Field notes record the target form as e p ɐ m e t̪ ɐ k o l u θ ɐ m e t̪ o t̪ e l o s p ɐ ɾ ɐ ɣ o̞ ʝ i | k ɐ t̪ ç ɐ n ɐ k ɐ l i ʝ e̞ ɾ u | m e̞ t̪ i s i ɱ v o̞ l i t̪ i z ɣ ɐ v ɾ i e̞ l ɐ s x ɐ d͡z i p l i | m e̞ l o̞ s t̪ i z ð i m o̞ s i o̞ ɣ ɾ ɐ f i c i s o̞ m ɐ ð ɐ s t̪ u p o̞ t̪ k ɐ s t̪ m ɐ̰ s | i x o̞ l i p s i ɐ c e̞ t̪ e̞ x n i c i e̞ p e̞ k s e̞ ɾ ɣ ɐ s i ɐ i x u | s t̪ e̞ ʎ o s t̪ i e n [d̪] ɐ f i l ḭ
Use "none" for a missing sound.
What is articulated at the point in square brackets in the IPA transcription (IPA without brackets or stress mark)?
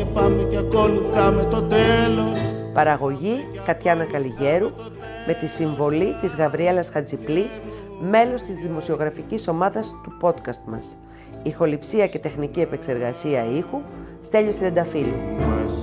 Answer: d̪